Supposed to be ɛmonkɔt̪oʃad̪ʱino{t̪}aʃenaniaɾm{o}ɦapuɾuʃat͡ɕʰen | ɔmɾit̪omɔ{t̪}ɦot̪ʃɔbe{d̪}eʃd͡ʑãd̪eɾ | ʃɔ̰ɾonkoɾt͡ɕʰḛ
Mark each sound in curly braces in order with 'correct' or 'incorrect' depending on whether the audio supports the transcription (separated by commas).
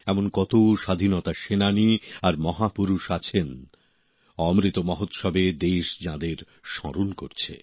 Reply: correct, incorrect, incorrect, correct